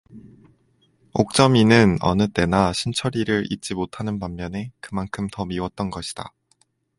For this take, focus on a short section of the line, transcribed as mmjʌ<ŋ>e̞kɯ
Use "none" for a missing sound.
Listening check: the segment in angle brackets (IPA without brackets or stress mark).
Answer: n